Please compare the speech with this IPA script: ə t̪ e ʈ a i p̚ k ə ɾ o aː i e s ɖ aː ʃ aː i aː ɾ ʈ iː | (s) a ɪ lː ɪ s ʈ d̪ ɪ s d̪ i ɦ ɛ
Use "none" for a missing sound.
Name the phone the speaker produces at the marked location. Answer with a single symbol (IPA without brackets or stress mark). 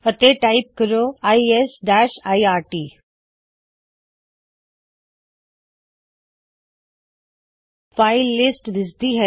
f